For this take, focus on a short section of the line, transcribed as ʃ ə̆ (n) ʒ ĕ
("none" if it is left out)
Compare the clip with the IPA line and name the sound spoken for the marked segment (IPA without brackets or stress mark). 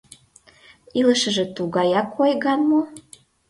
none